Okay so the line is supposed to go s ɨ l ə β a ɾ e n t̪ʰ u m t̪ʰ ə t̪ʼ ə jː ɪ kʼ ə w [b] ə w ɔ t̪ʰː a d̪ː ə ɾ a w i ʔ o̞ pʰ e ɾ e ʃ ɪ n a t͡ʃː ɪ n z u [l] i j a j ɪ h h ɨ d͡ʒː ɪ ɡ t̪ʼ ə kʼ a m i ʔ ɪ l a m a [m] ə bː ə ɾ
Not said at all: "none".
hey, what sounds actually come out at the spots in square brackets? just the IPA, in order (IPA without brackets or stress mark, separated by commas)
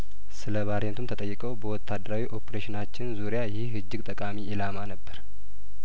b, ɾ, n